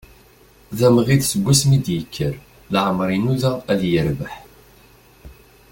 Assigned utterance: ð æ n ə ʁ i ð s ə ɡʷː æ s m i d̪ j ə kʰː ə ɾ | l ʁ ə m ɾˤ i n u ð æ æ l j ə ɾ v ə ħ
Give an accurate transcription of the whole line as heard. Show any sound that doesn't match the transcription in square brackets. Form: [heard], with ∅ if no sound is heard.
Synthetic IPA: ð æ [m] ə ʁ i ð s ə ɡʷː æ s m i d̪ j ə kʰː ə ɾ | l [ʕ] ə m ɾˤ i n u ð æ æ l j ə ɾ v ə ħ